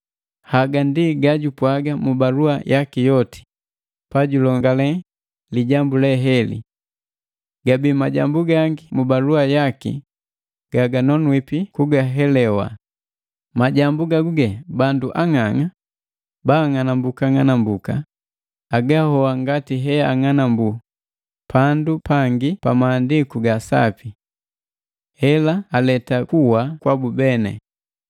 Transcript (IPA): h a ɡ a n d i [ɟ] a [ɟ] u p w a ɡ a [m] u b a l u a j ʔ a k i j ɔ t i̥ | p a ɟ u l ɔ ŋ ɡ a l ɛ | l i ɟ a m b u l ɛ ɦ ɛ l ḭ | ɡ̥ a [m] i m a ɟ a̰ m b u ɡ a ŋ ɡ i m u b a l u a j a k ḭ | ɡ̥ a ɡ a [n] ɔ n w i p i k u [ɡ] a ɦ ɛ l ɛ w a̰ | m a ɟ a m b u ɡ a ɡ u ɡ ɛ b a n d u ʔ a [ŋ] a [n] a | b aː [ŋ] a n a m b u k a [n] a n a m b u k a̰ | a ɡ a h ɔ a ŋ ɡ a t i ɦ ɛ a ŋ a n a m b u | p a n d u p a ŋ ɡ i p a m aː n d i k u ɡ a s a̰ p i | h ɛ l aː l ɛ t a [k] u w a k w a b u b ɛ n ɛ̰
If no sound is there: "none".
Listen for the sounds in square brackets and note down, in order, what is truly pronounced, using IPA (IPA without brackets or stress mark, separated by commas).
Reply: ɡ, ɟ, m, b, n, ɡ, ŋ, ŋ, ŋ, ŋ, k